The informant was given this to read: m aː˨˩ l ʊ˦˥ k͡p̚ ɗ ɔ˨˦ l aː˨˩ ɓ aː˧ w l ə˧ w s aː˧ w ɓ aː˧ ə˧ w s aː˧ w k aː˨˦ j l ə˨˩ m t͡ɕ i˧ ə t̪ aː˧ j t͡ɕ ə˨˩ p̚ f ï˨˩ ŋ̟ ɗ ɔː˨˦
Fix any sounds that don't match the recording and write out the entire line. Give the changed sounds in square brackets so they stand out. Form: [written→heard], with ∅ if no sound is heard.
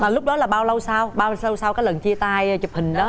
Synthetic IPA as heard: m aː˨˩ l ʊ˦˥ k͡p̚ ɗ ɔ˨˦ l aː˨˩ ɓ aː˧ w l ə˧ w s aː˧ w ɓ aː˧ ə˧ w s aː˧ w k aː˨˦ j l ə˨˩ [m→n] t͡ɕ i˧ ə t̪ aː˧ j t͡ɕ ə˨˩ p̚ [f→h] ï˨˩ ŋ̟ ɗ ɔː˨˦